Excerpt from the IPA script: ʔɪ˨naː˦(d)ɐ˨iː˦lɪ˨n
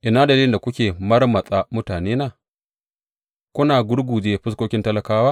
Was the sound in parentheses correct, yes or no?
yes